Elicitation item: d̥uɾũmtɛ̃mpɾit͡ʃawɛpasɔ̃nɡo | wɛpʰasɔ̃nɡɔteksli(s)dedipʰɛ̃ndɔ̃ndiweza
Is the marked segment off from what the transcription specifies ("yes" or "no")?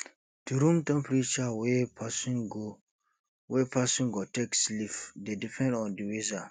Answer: yes